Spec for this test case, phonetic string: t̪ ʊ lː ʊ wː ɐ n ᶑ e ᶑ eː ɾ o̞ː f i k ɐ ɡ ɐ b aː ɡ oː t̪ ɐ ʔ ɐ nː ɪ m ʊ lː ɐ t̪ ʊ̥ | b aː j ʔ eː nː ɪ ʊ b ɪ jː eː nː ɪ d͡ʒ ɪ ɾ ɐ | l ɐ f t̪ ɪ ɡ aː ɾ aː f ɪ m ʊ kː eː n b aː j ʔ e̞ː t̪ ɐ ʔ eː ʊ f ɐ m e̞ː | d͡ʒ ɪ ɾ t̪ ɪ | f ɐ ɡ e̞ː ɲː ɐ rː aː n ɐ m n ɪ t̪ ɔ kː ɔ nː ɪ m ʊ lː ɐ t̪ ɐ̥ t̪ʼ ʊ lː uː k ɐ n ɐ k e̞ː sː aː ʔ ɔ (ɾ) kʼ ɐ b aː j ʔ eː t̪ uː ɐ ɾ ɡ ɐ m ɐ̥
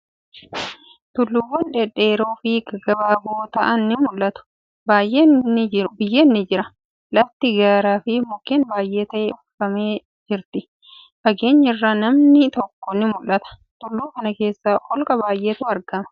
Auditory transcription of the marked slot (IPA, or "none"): l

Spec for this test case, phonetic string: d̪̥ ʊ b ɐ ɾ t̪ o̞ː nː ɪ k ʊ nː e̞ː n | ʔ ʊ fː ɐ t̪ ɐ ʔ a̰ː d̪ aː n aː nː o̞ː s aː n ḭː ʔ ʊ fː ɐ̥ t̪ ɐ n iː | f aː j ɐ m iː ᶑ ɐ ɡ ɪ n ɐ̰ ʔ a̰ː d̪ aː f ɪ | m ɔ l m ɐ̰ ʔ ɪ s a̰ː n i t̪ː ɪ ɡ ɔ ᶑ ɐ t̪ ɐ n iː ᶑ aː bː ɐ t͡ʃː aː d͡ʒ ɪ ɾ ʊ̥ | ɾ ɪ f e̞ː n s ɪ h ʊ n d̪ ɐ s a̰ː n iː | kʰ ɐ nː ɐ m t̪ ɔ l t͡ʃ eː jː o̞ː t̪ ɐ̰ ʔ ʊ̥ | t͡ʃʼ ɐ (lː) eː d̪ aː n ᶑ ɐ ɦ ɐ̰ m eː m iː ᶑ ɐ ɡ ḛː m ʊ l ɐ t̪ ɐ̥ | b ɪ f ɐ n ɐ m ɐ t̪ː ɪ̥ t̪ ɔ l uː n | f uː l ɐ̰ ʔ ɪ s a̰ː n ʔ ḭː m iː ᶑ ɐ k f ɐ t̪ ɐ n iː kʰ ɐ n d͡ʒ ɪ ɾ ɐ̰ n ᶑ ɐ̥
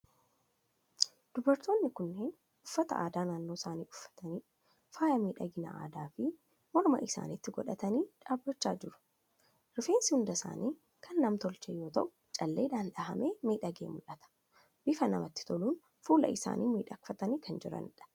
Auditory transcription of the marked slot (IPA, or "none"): lː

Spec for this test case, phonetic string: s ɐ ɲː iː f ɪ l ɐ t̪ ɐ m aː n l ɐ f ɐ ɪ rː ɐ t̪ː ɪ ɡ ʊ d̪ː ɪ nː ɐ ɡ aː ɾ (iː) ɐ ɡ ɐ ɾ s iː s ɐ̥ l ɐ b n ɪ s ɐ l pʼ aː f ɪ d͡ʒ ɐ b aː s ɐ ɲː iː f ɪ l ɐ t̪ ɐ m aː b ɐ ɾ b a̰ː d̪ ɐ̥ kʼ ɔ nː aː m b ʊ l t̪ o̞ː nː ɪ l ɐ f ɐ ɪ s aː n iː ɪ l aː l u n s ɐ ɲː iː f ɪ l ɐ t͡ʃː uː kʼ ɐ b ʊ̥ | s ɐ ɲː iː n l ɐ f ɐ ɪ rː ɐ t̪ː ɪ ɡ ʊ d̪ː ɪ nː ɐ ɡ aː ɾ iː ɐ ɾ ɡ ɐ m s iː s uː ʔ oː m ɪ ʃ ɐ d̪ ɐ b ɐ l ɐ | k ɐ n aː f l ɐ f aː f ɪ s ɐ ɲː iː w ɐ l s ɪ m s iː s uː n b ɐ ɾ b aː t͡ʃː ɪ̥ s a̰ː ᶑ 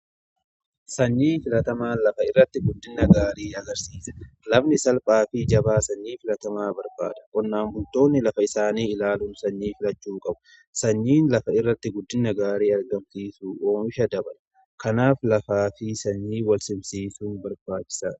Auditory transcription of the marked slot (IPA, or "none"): iː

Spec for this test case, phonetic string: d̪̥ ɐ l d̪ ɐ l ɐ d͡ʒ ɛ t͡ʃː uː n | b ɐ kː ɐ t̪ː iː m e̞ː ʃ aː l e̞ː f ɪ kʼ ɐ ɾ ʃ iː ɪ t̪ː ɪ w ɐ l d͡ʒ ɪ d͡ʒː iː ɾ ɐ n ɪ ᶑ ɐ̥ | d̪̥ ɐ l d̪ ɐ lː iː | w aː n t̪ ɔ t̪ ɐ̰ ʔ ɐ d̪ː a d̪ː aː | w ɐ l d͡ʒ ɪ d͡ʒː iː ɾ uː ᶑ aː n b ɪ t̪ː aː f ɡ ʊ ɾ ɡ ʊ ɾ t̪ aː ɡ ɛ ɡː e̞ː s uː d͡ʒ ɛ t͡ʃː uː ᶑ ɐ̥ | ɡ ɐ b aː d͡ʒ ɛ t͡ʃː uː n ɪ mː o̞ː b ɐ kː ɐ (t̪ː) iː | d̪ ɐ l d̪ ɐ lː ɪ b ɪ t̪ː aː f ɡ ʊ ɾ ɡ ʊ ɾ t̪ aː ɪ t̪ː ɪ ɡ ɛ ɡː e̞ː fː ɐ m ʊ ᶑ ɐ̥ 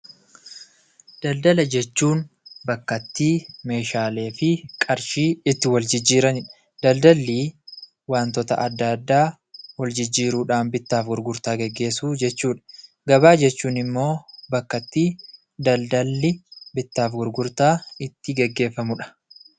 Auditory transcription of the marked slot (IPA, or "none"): t̪ː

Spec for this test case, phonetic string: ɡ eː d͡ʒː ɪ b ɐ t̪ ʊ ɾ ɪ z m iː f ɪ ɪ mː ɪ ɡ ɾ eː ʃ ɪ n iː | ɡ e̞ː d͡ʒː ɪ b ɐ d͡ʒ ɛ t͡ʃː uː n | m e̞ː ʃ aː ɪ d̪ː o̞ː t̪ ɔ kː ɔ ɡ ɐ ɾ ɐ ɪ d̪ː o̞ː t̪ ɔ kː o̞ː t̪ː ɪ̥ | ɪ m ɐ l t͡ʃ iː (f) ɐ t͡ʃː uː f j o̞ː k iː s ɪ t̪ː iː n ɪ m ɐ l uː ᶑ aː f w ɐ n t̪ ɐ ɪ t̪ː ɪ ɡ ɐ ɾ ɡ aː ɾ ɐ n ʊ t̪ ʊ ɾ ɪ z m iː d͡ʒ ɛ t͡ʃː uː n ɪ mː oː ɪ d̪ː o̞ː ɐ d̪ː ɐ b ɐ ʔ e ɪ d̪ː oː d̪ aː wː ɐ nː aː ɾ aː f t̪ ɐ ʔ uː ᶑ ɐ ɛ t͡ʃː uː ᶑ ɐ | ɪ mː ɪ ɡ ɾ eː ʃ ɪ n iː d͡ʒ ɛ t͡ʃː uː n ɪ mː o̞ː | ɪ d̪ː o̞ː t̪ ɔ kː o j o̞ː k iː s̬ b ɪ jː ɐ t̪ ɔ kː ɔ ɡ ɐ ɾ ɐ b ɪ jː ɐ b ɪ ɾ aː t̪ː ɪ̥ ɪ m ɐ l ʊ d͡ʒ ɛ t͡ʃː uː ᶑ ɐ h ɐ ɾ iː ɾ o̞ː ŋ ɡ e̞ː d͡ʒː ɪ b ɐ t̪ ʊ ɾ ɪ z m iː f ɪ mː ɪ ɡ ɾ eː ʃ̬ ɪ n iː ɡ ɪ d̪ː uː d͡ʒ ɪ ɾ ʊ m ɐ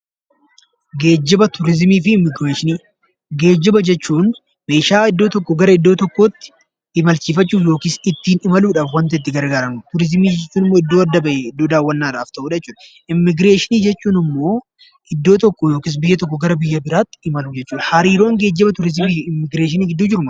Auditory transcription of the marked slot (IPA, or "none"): f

